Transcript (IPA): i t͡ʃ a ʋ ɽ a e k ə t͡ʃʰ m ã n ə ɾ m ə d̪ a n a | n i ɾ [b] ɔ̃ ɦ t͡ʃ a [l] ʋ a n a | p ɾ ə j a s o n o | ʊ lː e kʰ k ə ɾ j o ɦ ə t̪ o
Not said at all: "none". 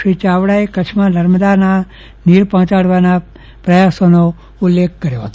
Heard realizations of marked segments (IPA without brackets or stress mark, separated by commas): p, ɽ